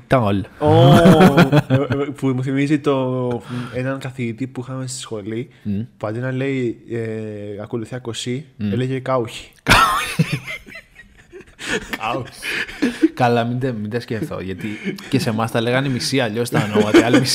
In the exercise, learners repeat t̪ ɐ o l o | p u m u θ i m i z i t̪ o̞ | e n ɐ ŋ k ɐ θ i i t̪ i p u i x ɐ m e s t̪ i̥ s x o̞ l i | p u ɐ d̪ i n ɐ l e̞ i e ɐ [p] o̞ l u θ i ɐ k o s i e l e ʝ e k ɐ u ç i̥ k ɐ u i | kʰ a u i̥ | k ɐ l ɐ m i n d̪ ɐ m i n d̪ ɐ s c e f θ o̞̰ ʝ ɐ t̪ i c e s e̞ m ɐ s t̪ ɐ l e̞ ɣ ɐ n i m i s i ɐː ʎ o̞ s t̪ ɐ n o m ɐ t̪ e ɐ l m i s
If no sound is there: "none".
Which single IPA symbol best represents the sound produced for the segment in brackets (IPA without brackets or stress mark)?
k